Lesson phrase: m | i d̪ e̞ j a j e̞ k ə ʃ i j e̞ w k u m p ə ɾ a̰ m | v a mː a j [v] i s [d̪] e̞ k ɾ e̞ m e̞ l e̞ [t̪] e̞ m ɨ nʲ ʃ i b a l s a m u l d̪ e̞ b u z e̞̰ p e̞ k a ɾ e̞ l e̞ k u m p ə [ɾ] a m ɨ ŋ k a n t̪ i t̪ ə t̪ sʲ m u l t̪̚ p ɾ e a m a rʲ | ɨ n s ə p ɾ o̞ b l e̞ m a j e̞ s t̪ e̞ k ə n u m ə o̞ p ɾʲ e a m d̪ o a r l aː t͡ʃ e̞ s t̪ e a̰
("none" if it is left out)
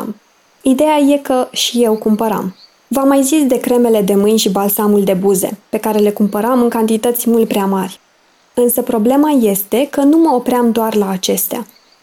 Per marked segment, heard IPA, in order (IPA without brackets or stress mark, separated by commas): z, d̪, d̪, ɾ